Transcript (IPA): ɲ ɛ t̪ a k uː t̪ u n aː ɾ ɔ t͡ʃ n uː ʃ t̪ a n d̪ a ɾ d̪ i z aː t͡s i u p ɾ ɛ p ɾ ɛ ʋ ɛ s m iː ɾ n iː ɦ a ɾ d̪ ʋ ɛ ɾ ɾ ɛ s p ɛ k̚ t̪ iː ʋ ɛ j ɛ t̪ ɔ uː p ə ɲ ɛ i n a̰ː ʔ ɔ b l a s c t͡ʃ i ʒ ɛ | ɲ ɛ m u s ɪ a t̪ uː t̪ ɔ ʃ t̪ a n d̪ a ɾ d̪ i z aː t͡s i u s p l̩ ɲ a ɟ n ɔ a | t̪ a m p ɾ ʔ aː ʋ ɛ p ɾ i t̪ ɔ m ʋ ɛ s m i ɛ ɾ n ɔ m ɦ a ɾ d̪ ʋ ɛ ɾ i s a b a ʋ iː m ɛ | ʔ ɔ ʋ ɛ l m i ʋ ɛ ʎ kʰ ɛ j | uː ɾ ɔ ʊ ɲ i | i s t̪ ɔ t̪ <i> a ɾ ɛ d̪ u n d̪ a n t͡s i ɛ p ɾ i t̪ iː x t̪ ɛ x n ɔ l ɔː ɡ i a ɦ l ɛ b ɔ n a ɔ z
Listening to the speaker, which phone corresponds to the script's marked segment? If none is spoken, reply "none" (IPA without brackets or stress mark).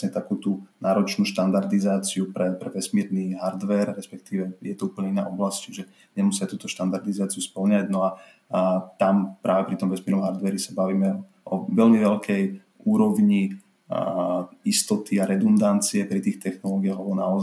i